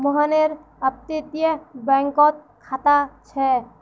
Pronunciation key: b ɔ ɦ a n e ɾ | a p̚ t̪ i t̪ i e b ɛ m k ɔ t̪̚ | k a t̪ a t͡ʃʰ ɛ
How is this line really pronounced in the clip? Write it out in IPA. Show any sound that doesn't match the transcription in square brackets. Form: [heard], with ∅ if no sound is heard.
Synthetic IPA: [m] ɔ ɦ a n e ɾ | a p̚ t̪ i t̪ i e b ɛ [ŋ] k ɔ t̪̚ | [kʰ] a t̪ a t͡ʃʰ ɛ

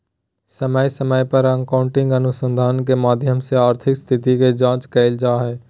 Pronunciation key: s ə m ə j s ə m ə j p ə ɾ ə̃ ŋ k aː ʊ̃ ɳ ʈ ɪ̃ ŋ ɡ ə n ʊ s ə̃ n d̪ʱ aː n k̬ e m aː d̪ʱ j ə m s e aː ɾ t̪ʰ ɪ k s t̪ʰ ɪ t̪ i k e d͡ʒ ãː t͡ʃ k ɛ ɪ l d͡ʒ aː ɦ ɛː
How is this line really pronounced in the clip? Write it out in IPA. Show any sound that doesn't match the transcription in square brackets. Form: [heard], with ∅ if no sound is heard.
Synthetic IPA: s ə m ə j s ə m ə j p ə ɾ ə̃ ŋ k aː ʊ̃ ɳ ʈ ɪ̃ ŋ ɡ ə n ʊ s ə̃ n d̪ʱ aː n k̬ e m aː d̪ʱ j ə m s e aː ɾ t̪ʰ ɪ k s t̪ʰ ɪ t̪ i k e d͡ʒ ãː t͡ʃ k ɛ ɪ l d͡ʒ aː ɦ ɛː

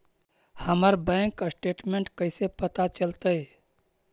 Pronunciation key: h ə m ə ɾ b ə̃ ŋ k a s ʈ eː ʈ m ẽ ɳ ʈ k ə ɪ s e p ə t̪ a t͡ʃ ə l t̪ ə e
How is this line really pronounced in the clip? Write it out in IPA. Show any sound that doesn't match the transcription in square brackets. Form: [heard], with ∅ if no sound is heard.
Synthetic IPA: h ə m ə ɾ b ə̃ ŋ k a s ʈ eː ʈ m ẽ ɳ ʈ k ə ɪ s e p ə t̪ a t͡ʃ ə l t̪ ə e

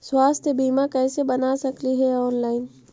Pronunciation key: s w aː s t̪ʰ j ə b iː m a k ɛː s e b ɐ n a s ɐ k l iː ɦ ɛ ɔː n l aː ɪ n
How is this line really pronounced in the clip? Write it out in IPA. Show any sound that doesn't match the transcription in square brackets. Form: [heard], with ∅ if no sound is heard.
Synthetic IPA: s w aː s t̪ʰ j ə b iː m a k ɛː s e b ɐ n a s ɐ k l [i] ɦ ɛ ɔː n l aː ɪ n

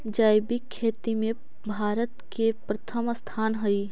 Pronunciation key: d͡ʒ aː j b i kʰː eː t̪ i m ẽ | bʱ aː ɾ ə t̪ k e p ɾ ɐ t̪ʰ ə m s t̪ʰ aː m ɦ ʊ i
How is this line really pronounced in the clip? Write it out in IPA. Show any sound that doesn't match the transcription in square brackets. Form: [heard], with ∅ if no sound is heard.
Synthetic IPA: d͡ʒ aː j b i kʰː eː t̪ i m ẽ | bʱ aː ɾ ə t̪ k e p ɾ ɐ t̪ʰ ə m s t̪ʰ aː [n] ɦ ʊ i

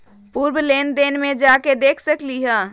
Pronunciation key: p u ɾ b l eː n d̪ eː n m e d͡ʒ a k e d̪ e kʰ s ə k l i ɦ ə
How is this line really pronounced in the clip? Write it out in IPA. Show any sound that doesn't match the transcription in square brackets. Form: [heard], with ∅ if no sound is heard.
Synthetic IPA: p u ɾ b l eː n d̪ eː n m e d͡ʒ a k e d̪ e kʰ s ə k l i ɦ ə

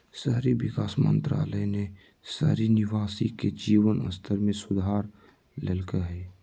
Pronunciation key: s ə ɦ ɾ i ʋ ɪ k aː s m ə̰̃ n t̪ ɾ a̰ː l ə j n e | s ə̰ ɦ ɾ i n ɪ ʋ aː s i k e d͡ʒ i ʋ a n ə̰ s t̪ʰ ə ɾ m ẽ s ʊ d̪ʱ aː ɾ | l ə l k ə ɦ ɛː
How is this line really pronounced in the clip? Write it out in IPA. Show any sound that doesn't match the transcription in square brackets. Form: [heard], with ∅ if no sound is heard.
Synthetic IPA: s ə ɦ ɾ i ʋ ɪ k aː s m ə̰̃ n t̪ ɾ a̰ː l ə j n e | s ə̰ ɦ ɾ i n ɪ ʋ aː s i k e d͡ʒ [iː] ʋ [ə] n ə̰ s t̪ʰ ə ɾ m ẽ s ʊ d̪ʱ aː ɾ | l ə l k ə ɦ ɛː

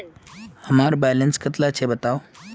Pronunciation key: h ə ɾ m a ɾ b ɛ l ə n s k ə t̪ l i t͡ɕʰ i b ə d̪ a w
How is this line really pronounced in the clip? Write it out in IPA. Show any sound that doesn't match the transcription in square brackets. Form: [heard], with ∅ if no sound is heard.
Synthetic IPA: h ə [∅] m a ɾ b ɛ l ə n s k ə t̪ l [a] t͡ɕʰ [e] b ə [t̪] a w

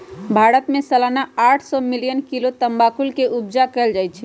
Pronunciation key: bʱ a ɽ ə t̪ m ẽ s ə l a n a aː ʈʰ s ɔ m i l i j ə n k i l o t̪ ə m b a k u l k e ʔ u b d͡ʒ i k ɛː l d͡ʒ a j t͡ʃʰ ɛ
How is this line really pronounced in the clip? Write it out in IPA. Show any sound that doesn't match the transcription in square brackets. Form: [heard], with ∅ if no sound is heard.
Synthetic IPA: bʱ a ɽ ə t̪ m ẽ s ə l a n a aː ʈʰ s ɔ m i l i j ə n k i l o t̪ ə m b a k u l k e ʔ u b d͡ʒ [a] k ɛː l d͡ʒ a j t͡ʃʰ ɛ

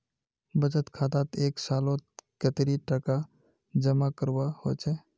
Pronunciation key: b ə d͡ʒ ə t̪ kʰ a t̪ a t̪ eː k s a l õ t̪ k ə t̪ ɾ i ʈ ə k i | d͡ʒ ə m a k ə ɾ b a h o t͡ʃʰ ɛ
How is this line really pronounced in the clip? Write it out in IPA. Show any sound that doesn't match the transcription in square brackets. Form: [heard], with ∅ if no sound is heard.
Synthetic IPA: b ə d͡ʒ ə t̪ kʰ a t̪ a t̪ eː k s a l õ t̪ k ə t̪ ɾ i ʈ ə k [a] | d͡ʒ ə m a k ə ɾ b a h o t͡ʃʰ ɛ

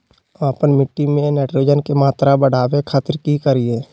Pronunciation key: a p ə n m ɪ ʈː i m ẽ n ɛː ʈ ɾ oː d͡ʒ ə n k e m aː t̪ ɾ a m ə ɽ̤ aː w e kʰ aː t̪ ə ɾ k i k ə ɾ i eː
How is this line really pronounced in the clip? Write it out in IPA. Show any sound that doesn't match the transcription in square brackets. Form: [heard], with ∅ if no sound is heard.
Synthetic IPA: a p ə n m ɪ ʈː i m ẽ n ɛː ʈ ɾ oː d͡ʒ ə n k e m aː t̪ ɾ a [b] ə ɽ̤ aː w e kʰ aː t̪ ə ɾ k i k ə ɾ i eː

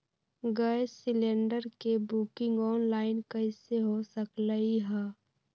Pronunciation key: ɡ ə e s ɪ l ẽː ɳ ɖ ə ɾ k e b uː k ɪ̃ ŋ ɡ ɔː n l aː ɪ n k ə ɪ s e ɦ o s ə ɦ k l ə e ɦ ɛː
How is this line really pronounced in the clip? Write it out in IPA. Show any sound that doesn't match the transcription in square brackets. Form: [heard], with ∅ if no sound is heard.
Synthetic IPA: ɡ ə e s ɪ l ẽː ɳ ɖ ə ɾ k e b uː k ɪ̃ ŋ ɡ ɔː n l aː ɪ n k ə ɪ s e ɦ o s ə [∅] k l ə [i] ɦ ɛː

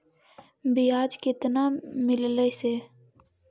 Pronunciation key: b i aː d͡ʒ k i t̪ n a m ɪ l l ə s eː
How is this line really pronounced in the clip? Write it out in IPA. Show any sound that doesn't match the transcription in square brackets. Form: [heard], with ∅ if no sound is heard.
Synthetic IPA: b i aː d͡ʒ k [ɪ] t̪ n a m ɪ l l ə s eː

